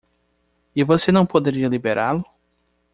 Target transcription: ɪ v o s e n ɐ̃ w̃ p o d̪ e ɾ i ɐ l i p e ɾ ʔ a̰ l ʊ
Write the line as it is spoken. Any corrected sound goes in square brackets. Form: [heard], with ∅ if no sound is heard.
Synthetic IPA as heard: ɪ v o s e n ɐ̃ w̃ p o d̪ e ɾ i ɐ l i [b] e ɾ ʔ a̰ l ʊ